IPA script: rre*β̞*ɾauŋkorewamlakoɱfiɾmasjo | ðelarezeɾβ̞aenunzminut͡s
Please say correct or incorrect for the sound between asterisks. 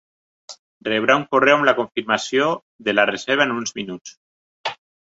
correct